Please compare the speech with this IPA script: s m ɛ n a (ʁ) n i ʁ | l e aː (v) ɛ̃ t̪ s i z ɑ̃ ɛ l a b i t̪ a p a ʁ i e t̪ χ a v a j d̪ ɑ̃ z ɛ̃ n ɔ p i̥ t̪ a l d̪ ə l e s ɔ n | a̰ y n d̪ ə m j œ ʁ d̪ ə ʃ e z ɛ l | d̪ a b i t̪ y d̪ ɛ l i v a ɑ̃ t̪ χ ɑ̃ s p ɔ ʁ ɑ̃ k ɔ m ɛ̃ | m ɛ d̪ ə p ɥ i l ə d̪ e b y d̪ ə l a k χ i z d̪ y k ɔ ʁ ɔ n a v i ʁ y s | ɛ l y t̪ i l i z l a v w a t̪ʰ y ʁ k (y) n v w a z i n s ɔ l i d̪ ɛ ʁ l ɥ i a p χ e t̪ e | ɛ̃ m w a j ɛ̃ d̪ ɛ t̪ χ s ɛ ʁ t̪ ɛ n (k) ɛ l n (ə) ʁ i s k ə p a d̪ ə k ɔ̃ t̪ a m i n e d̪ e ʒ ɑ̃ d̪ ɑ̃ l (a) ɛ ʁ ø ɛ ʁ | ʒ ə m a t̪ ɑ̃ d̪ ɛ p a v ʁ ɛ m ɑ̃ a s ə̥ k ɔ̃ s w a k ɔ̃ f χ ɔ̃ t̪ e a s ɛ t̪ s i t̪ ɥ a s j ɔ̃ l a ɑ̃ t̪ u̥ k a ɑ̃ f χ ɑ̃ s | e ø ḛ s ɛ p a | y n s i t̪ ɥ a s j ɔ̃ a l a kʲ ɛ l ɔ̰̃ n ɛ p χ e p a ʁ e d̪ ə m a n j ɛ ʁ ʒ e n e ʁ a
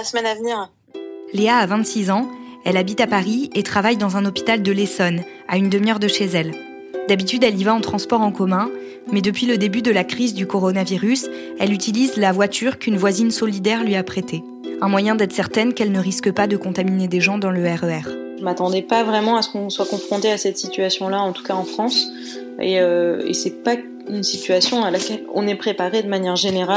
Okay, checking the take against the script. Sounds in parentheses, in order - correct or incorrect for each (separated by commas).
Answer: incorrect, correct, correct, correct, correct, incorrect